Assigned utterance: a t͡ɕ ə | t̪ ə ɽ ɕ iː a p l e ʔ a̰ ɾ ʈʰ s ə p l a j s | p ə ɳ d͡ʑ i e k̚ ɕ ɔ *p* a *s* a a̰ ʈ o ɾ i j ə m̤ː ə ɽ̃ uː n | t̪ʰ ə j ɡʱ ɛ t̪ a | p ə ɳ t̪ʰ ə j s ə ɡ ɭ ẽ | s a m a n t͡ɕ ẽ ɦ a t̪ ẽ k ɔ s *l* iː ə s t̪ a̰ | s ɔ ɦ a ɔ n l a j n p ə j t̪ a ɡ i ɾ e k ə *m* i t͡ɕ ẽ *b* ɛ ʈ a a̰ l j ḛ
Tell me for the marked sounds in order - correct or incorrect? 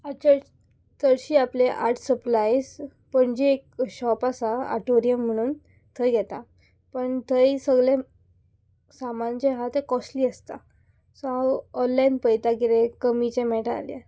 correct, correct, correct, correct, incorrect: m

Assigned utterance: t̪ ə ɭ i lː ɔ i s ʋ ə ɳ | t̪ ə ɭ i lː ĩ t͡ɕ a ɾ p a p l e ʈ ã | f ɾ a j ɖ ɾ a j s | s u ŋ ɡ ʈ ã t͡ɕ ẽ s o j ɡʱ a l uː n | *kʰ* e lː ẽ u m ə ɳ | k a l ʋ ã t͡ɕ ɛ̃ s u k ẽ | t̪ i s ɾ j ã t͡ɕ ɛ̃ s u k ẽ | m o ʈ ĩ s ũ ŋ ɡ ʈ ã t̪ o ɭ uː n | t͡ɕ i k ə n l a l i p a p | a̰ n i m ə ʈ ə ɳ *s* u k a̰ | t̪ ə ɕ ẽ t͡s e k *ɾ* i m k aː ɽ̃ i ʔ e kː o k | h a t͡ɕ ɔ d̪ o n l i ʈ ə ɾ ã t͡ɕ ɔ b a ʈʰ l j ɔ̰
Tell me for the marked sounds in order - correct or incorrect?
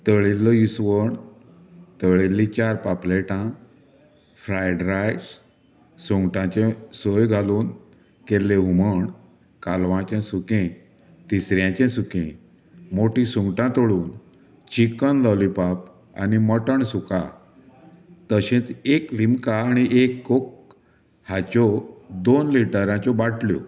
incorrect: k, correct, incorrect: l

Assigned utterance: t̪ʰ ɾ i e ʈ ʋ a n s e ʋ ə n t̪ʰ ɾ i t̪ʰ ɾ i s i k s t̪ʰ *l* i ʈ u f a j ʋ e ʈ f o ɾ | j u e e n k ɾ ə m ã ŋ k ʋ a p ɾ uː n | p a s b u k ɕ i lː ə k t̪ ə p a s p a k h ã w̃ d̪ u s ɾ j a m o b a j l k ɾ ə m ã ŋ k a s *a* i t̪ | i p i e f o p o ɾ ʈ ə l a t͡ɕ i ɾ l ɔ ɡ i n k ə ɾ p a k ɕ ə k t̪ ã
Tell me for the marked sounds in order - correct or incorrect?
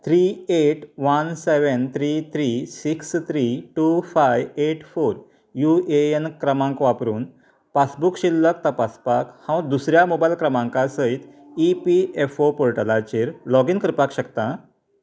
incorrect: ɾ, incorrect: ə

